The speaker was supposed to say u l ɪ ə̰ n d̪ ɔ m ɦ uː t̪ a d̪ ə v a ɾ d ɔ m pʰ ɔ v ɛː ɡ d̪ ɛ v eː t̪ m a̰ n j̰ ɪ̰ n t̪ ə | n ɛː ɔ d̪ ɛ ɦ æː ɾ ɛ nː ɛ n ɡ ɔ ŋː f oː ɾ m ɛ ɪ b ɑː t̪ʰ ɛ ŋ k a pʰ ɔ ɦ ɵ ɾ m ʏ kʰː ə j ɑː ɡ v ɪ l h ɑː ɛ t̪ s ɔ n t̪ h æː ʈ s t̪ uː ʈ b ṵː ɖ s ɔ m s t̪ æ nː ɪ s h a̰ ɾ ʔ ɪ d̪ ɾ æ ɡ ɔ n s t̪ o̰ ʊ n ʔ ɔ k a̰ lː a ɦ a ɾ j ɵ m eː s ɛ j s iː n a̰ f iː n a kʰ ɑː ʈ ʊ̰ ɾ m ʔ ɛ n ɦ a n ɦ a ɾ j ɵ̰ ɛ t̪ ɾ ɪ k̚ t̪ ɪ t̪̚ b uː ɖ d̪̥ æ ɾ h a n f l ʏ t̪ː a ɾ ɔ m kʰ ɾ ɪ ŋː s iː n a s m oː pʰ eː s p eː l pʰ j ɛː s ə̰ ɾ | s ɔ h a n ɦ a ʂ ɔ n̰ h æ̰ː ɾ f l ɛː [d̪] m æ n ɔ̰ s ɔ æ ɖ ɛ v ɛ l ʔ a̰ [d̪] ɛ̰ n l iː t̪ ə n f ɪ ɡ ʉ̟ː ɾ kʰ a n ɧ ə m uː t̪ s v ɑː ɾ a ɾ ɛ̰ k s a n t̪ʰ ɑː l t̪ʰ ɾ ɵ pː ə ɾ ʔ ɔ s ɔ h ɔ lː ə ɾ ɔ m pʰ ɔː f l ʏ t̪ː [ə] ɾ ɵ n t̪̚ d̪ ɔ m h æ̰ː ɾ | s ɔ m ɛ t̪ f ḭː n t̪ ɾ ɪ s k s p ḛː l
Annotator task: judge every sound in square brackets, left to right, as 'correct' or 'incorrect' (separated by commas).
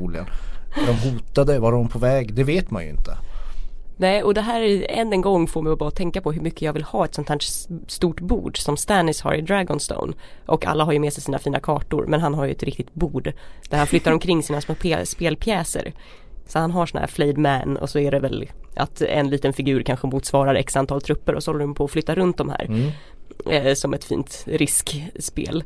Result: correct, incorrect, incorrect